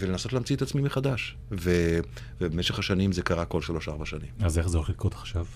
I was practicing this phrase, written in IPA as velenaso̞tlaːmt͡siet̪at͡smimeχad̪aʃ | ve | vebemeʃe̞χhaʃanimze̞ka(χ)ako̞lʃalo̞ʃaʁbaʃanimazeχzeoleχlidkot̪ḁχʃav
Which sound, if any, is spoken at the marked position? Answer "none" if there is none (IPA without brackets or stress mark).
ʁ